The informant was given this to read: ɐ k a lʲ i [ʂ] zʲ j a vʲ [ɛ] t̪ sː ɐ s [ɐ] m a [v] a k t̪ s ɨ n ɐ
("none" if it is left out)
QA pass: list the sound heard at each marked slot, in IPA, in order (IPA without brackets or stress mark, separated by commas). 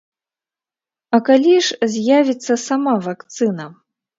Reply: ʂ, i, a, v